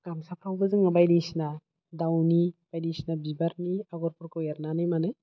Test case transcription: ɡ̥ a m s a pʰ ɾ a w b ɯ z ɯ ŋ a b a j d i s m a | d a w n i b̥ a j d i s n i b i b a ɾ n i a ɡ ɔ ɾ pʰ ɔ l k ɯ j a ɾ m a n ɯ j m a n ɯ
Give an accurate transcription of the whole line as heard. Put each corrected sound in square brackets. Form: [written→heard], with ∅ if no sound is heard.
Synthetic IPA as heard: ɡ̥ a m s a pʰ ɾ a w b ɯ z ɯ ŋ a b a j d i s [m→n] a | d a w n i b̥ a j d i s n [i→a] b i b a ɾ n i a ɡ ɔ ɾ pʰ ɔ [l→ɾ] k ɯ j a ɾ [m→n] a n ɯ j m a n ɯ